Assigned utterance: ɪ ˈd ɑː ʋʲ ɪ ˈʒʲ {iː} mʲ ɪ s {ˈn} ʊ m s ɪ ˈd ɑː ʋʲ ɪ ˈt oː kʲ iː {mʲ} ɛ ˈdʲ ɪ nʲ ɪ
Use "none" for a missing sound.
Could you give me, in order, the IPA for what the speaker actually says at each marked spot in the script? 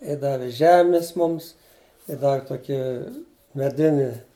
æː, m, mʲ

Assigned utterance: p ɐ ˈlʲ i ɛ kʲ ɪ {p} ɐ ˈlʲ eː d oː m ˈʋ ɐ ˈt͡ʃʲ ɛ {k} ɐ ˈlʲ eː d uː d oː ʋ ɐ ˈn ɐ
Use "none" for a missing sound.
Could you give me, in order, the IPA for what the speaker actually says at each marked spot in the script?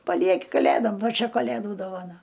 k, k

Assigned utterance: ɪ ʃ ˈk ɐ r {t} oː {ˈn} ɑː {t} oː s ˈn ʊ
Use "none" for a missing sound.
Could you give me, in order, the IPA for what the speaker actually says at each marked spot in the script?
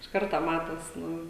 t, m, t

